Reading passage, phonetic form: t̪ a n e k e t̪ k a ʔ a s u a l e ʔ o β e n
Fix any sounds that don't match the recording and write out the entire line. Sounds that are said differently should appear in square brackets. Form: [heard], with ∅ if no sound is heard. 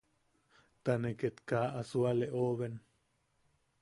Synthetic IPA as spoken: t̪ a n e k e t̪ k a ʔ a s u a l e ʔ o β e n